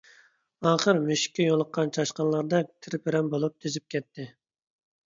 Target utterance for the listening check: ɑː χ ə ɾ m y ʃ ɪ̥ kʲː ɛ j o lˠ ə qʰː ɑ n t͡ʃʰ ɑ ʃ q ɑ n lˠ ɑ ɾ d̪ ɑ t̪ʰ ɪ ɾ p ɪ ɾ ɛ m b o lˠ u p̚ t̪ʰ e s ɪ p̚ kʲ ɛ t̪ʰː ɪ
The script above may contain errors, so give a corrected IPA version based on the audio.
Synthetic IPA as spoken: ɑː χ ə ɾ m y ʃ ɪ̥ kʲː ɛ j o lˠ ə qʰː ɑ n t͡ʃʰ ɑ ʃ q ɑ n lˠ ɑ ɾ d̪ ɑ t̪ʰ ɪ ɾ p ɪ ɾ ɛ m b o lˠ u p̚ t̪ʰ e z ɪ p̚ kʲ ɛ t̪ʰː ɪ